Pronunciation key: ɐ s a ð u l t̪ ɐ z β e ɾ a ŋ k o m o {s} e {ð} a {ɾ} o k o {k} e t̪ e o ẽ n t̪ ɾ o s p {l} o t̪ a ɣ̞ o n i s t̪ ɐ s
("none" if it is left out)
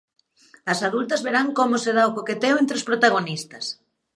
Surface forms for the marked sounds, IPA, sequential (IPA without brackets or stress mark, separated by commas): s, ð, none, k, ɾ